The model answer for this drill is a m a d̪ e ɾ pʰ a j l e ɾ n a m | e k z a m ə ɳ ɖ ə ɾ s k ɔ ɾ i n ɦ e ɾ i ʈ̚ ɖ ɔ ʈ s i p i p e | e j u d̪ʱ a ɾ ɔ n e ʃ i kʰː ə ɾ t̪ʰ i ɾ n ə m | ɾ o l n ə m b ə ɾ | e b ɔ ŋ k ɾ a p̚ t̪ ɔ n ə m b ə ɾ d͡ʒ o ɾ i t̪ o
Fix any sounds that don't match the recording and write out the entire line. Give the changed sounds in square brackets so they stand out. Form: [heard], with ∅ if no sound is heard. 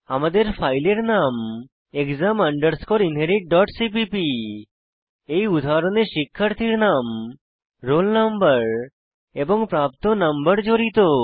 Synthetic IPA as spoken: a m a d̪ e ɾ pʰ a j l e ɾ n a m | e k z a m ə ɳ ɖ ə ɾ s k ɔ ɾ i n ɦ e ɾ i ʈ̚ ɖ ɔ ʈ s i p i p [i] | e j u d̪ʱ a ɾ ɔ n e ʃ i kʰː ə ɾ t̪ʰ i ɾ n [a] m | ɾ o l n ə m b ə ɾ | e b ɔ ŋ [p] ɾ a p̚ t̪ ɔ n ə m b ə ɾ d͡ʒ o ɾ i t̪ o

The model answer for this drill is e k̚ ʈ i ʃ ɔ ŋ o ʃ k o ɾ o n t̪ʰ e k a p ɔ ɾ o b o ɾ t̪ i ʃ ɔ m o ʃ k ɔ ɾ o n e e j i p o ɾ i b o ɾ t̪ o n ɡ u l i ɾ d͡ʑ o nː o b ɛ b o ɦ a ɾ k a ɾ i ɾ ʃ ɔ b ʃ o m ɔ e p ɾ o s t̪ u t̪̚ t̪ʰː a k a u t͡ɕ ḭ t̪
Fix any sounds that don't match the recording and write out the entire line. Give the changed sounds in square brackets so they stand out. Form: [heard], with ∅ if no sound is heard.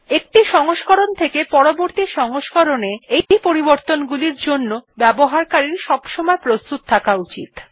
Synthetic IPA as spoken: e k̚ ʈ i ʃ ɔ ŋ o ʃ k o ɾ o n t̪ʰ e k [e] p ɔ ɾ o b o ɾ t̪ i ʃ ɔ [ŋ] o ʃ k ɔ ɾ o n e e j i p o ɾ i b o ɾ t̪ o n ɡ u l i ɾ d͡ʑ o nː o b ɛ b o ɦ a ɾ k a ɾ i ɾ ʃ ɔ b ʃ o m ɔ e p ɾ o s t̪ u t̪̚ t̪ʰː a k a u t͡ɕ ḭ t̪

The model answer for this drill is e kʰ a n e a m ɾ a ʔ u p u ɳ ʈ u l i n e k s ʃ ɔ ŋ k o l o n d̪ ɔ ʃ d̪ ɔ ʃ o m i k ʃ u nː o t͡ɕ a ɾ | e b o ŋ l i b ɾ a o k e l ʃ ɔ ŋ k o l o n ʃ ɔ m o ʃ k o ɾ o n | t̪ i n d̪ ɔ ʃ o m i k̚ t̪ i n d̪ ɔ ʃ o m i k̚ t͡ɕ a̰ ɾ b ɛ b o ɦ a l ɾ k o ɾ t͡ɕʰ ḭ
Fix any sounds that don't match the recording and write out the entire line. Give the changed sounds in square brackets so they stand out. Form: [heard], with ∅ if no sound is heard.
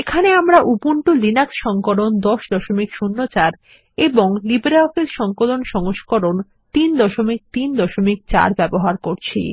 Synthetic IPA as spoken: e kʰ a n e a m ɾ a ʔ u p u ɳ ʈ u l i n [a] k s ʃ ɔ ŋ k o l o n d̪ ɔ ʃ d̪ ɔ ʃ o m i k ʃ u nː o t͡ɕ a ɾ | e b o ŋ l i b ɾ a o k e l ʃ ɔ ŋ k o l o n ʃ ɔ [ŋ] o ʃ k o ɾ o n | t̪ i n d̪ ɔ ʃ o m i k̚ t̪ i n d̪ ɔ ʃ o m i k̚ t͡ɕ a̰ ɾ b ɛ b o ɦ a [∅] ɾ k o ɾ t͡ɕʰ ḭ

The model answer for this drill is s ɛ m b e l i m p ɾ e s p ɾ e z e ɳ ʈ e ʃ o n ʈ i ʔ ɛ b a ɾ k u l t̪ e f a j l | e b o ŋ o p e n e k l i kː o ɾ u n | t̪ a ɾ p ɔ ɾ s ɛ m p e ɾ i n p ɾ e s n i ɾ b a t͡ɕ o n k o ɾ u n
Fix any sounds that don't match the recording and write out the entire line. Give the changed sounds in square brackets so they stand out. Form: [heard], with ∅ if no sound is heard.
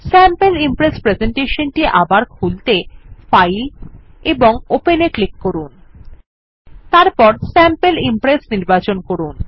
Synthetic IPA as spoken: s ɛ m [p] e l i m p ɾ e s p ɾ e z e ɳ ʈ e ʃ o n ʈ i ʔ [a] b a ɾ [kʰ] u l t̪ e f a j l | e b o ŋ o p e n e k l i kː o ɾ u n | t̪ a ɾ p ɔ ɾ s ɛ m p e [l] i [m] p ɾ e s n i ɾ b a t͡ɕ o n k o ɾ u n

